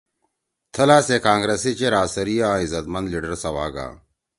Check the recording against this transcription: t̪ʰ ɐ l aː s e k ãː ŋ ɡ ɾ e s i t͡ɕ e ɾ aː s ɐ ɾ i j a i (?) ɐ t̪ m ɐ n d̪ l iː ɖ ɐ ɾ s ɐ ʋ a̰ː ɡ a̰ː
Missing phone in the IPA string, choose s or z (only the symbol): z